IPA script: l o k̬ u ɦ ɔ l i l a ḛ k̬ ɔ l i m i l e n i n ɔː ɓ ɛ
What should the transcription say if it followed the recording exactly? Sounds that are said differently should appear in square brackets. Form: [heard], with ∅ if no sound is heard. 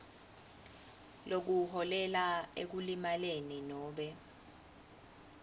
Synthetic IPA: l o k̬ u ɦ ɔ l [ɛ] l a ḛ k̬ [u] l i m [a] l e n i n ɔː ɓ ɛ